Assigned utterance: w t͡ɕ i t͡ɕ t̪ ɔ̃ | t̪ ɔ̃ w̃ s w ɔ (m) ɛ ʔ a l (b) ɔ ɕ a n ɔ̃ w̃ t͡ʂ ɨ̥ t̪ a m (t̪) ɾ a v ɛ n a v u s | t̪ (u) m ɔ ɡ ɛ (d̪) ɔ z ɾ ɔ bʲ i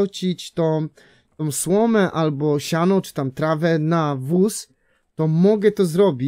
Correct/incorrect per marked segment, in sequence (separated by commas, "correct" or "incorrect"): correct, correct, correct, incorrect, incorrect